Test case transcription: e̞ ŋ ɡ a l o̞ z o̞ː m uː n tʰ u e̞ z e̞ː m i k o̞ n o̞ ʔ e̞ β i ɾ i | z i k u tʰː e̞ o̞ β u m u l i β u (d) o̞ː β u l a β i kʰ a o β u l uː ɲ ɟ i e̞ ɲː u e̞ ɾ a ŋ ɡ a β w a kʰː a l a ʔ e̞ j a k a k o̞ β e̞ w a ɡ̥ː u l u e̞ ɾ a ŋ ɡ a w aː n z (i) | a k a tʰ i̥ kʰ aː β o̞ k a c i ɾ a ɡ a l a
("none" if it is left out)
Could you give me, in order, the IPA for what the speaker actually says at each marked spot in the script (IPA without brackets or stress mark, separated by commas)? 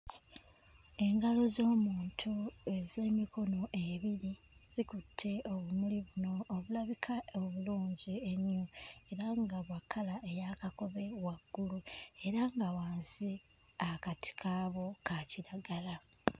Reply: n, i